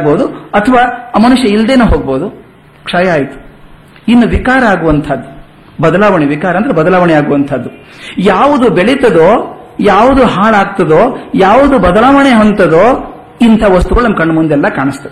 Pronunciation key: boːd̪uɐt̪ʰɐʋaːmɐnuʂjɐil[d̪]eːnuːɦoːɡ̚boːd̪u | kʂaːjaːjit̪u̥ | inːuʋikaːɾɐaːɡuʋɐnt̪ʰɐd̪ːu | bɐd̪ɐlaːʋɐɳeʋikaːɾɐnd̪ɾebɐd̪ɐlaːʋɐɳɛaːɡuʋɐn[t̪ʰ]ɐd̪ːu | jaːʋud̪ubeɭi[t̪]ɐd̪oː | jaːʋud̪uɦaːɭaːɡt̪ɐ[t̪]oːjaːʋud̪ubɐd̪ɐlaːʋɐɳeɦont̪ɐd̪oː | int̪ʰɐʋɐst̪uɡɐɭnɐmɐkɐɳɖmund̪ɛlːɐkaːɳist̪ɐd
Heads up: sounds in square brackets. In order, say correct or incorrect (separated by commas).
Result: correct, correct, correct, incorrect